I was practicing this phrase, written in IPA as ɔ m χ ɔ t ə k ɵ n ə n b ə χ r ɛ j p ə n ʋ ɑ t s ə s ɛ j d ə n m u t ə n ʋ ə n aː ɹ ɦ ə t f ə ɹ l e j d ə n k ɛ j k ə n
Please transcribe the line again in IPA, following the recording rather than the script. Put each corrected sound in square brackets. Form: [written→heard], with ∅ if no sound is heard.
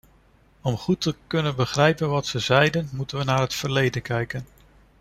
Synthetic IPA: ɔ m χ [ɔ→u] t ə k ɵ n ə n b ə χ r ɛ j p ə n ʋ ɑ t s ə [s→z] ɛ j d ə n m u t ə n ʋ ə n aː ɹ ɦ ə t f ə ɹ l e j d ə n k ɛ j k ə n